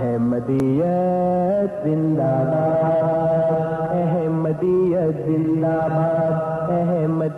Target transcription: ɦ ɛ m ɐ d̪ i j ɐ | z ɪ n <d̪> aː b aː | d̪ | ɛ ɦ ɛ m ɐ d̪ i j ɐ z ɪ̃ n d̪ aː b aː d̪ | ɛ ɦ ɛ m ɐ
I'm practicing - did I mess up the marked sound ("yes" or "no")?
no